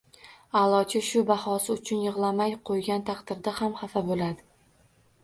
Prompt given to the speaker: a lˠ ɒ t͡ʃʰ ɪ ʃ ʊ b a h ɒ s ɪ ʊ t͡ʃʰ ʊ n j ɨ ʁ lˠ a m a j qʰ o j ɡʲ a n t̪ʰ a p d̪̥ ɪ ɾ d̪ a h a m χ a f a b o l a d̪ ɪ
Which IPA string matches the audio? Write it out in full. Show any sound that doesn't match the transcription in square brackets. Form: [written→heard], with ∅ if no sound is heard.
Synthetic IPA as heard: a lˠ ɒ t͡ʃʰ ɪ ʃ ʊ b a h ɒ s ɪ ʊ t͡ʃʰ ʊ n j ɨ ʁ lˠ a m a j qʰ o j ɡʲ a n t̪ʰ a [p→q] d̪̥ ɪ ɾ d̪ a h a m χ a f a b o l a d̪ ɪ